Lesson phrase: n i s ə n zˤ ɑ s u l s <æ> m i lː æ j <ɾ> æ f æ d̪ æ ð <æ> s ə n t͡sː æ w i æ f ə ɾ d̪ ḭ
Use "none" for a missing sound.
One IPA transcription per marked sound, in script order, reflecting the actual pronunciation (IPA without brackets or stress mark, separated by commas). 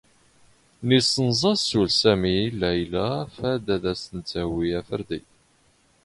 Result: æ, l, æ